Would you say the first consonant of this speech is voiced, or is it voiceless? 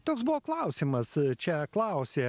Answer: voiceless